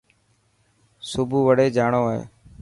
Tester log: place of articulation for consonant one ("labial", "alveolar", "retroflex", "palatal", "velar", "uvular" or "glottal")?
alveolar